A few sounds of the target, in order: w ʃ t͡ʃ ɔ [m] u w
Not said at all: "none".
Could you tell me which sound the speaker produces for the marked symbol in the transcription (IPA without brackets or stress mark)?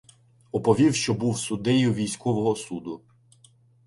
b